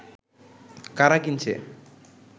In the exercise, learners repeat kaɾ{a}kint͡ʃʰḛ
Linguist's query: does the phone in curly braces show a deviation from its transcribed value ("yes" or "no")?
no